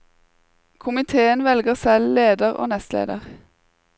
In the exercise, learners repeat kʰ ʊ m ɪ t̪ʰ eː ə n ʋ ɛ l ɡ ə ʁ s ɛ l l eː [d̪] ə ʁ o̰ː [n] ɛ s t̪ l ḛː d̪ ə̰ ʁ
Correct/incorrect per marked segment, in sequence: correct, correct

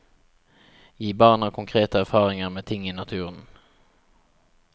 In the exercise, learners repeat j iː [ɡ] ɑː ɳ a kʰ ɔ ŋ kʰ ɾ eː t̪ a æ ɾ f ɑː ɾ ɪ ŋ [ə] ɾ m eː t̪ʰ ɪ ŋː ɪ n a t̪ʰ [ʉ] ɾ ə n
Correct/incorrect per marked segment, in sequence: incorrect, incorrect, incorrect

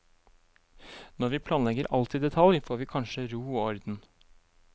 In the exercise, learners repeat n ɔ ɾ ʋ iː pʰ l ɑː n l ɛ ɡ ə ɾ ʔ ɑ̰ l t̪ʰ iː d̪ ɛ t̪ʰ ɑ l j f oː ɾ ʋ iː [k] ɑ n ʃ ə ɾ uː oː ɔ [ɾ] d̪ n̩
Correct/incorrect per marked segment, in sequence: incorrect, correct

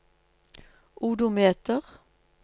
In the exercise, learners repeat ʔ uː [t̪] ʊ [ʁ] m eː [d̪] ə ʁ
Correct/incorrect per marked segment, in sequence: incorrect, incorrect, incorrect

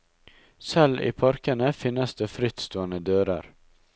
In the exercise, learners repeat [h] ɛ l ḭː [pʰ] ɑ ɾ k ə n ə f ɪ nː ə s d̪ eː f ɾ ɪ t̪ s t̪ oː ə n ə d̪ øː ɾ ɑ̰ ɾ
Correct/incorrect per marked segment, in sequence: incorrect, correct

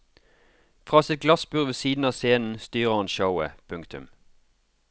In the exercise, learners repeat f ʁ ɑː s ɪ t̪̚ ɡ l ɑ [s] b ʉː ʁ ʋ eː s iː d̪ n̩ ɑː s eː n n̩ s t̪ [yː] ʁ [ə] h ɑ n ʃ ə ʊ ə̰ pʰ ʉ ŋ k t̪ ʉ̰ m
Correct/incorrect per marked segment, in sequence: correct, correct, correct

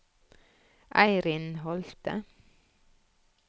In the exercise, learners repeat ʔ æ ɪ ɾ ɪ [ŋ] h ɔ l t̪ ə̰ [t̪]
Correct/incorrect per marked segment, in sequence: incorrect, incorrect

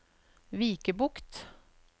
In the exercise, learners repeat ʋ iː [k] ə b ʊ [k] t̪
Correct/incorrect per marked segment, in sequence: correct, correct

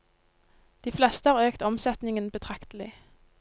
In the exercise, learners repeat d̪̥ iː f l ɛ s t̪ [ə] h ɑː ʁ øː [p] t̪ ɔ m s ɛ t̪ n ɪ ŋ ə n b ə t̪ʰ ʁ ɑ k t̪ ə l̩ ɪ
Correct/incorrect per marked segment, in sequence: correct, incorrect

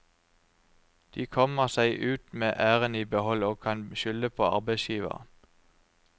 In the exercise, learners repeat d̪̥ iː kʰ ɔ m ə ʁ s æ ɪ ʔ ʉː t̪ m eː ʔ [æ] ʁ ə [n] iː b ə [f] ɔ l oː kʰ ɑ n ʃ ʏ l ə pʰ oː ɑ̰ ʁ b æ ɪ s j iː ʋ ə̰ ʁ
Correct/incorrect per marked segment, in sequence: incorrect, correct, incorrect

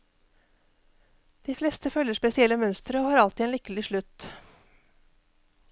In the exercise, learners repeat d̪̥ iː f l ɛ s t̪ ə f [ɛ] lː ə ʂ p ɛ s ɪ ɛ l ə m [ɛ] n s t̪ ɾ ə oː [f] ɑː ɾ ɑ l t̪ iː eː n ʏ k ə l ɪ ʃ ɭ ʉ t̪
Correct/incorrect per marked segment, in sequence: incorrect, incorrect, incorrect

